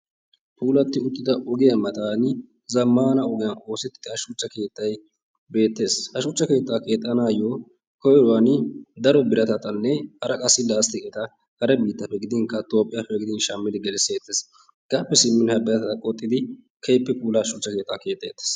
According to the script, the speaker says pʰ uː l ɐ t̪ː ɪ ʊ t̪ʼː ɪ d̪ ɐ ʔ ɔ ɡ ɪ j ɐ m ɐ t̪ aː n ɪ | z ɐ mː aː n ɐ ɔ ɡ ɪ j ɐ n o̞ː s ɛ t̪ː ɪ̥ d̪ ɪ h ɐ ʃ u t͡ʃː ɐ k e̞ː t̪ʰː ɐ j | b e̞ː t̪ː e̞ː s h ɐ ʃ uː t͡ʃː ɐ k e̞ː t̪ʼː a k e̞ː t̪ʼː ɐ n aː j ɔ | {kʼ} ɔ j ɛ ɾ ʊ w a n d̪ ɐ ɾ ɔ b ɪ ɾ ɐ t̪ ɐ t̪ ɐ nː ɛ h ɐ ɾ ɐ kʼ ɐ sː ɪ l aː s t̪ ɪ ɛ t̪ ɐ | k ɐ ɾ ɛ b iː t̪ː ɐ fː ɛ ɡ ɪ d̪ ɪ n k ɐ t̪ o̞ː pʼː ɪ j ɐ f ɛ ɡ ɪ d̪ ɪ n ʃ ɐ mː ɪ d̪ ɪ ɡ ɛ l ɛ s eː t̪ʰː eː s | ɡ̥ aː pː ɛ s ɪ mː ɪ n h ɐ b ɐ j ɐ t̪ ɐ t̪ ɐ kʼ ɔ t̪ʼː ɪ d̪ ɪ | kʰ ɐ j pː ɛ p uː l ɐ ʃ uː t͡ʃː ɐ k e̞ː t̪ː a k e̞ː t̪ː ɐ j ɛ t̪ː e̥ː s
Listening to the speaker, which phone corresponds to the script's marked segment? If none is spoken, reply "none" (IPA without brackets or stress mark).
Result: k